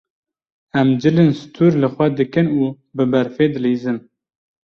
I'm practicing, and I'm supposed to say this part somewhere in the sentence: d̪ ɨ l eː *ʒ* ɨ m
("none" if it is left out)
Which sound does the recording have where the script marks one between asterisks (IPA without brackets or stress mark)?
z